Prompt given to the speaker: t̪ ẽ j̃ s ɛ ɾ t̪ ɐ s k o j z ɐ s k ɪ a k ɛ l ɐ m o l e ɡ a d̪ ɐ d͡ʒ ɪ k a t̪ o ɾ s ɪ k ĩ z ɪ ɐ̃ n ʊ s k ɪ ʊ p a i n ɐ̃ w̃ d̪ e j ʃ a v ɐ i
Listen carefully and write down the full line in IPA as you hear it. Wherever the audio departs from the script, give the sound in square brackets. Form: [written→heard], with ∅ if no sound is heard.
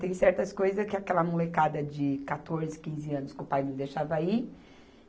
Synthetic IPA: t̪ ẽ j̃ s ɛ ɾ t̪ ɐ s k o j z ɐ s k ɪ a k ɛ l ɐ m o l e [ɡ→k] a d̪ ɐ d͡ʒ ɪ k a t̪ o ɾ [s→z] ɪ k ĩ z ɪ ɐ̃ n ʊ s k ɪ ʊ p a [i→j] n ɐ̃ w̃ d̪ e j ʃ a v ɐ i